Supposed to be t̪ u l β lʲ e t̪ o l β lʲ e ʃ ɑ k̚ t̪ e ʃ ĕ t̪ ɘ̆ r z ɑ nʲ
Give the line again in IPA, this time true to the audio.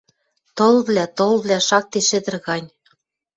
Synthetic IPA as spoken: t̪ o l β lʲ æ t̪ o l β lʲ æ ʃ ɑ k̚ t̪ e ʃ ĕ d̪ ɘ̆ r ɣ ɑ nʲ

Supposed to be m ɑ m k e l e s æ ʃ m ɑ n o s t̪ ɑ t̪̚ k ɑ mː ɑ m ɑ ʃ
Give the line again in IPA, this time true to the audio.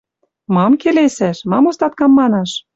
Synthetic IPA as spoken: m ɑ m k e l e s æ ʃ m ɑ m o s t̪ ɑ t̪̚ k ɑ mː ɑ n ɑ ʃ

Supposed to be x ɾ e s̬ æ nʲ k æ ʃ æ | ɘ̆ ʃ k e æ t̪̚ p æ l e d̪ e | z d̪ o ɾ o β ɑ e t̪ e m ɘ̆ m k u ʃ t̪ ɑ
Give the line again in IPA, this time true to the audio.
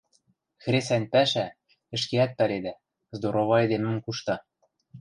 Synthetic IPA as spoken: x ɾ e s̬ æ nʲ p æ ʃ æ | ɘ̆ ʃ k e æ t̪̚ p æ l e d̪ æ | z d̪ o ɾ o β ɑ e d̪ e m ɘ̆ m k u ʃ t̪ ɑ

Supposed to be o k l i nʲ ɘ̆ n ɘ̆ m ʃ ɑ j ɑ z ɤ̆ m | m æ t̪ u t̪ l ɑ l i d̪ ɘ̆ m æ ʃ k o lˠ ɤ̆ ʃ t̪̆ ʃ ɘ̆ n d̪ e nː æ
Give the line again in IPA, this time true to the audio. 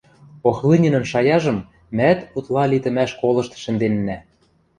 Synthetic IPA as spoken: o x l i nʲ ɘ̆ n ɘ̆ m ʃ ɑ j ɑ ʒ ɤ̆ m | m æ t̪ u t̪ l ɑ l i t̪ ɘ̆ m æ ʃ k o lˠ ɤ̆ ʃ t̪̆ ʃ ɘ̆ n d̪ e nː æ

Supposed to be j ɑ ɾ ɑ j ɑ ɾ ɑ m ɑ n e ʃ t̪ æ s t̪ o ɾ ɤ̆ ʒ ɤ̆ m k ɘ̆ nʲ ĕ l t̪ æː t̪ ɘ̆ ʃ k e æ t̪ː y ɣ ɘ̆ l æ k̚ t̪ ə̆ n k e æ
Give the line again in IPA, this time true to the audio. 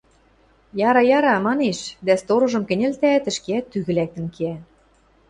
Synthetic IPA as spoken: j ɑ ɾ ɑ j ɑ ɾ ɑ m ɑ n e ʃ d̪ æ s t̪ o ɾ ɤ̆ ʒ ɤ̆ m k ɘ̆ nʲ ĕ l t̪ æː t̪ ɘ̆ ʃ k e æ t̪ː y ɣ ɘ̆ l æ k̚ t̪ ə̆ n k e æ

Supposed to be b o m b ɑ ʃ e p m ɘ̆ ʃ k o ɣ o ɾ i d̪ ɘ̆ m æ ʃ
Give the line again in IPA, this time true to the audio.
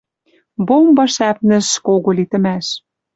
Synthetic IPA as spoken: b o m b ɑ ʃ æ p n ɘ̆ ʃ k o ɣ o l i t̪ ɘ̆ m æ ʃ

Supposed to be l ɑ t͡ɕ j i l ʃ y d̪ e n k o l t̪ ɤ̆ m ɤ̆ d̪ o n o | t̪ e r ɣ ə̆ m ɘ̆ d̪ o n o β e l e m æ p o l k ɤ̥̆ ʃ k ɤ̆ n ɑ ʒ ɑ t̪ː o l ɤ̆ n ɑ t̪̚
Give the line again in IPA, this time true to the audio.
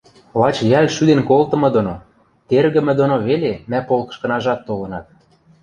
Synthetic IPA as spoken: l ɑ t͡ɕ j æ l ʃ y d̪ e n k o l t̪ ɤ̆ m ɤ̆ d̪ o n o | t̪ e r ɣ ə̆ m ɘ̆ d̪ o n o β e l e m æ p o l k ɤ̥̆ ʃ k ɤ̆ n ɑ ʒ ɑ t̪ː o l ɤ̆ n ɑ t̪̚

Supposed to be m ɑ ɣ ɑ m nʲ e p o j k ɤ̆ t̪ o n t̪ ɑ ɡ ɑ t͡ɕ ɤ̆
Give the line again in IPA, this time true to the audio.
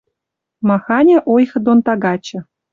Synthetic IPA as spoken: m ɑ x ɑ nʲ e ʔ o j x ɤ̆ d̪ o n t̪ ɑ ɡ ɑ t͡ɕ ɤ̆

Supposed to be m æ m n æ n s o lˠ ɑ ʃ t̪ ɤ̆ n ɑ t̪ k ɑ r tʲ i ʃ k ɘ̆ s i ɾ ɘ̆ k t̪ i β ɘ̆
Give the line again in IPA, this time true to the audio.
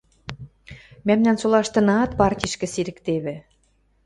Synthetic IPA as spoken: m æ m n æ n s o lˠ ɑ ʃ t̪ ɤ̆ n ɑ t̪ p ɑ r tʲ i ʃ k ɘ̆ s i ɾ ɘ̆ k t̪ e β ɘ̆

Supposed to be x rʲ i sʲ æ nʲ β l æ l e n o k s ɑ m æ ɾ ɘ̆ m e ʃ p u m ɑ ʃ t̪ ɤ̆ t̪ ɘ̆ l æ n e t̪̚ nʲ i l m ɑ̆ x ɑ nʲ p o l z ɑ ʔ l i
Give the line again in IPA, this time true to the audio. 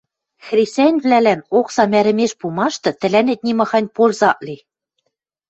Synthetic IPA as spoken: x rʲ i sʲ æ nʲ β l æ l æ n o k s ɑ m æ ɾ ɘ̆ m e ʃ p u m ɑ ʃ t̪ ɤ̆ t̪ ɘ̆ l æ n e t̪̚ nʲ i m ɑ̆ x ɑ nʲ p o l z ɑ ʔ l i

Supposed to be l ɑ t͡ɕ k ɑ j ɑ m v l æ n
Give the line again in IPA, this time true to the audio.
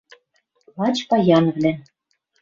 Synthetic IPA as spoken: l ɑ t͡ɕ p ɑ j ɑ n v l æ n

